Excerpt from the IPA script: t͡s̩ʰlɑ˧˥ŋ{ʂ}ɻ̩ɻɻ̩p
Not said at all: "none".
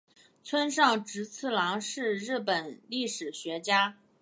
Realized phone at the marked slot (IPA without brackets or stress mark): ʂ